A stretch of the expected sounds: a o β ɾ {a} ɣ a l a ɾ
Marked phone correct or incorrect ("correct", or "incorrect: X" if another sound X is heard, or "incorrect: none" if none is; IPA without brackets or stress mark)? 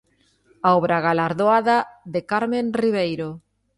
correct